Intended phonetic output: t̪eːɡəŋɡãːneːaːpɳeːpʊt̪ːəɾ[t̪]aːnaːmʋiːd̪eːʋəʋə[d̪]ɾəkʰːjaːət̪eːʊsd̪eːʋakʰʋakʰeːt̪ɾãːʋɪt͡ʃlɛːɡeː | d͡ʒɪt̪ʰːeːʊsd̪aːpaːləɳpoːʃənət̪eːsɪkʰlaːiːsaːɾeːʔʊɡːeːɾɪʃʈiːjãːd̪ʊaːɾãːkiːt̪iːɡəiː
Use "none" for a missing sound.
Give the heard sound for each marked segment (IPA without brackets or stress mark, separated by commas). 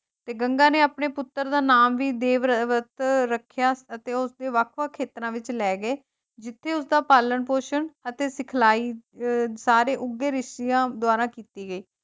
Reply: d̪, t̪